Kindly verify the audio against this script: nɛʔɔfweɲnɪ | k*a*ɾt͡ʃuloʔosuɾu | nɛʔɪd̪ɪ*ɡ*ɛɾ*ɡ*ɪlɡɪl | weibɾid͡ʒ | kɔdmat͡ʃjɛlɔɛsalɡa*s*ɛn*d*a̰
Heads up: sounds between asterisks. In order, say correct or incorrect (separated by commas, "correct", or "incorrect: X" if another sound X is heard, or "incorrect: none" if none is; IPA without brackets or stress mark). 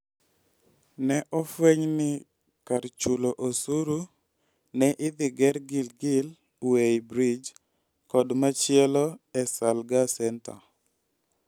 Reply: correct, correct, correct, correct, incorrect: t